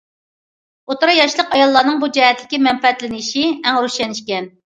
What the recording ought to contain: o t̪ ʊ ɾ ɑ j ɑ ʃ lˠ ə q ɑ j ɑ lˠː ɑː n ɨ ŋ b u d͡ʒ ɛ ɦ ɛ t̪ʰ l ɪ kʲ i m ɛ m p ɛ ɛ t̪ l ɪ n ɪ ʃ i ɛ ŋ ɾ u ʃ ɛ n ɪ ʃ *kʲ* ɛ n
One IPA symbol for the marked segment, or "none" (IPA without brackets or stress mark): kʲ